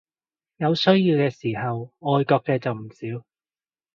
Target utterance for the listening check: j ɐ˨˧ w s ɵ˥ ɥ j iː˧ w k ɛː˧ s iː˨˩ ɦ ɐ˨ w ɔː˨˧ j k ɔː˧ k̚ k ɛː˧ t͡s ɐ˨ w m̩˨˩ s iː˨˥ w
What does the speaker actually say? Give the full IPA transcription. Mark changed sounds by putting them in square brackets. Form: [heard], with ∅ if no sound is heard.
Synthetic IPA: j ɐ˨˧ w s ɵ˥ ɥ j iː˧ w k ɛː˧ s iː˨˩ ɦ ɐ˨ w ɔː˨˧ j k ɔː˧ k̚ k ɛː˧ t͡s ɐ˨ w m̩˨˩ s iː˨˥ w